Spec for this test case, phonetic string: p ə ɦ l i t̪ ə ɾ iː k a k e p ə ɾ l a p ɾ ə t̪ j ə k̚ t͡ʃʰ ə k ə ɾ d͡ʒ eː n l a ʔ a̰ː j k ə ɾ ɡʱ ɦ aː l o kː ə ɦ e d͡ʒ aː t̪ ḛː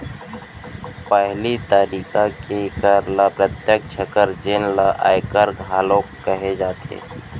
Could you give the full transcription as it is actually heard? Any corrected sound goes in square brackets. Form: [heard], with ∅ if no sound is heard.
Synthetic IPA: p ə ɦ l i t̪ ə ɾ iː k a k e [k] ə ɾ l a p ɾ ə t̪ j ə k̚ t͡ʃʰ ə k ə ɾ d͡ʒ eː n l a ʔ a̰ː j k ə ɾ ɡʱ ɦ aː l o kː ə ɦ e d͡ʒ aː t̪ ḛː